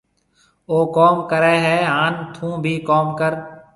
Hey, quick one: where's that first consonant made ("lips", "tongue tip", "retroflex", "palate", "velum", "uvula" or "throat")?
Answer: velum